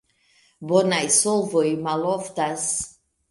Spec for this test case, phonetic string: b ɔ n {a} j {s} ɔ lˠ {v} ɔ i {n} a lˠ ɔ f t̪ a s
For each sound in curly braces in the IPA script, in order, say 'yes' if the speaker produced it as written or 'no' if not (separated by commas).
yes, yes, yes, no